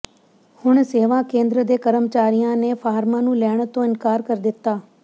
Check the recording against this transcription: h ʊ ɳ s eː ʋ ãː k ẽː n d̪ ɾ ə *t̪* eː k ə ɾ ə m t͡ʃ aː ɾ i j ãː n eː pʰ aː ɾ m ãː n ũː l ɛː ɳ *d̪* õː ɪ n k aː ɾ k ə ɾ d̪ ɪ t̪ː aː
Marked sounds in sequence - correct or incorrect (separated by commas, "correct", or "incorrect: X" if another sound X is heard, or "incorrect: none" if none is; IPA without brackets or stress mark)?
incorrect: d̪, incorrect: t̪